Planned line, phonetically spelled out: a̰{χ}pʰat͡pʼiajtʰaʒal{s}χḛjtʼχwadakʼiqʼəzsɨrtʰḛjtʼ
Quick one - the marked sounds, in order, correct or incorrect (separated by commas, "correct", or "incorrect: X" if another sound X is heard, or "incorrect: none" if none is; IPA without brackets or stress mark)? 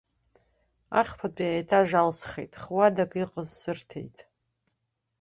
correct, correct